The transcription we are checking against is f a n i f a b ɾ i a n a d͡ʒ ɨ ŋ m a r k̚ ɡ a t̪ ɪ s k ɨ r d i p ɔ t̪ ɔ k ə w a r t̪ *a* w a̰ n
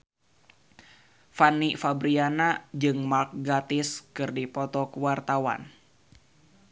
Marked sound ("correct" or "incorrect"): correct